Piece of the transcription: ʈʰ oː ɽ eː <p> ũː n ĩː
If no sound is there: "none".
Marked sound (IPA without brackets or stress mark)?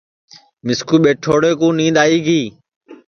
k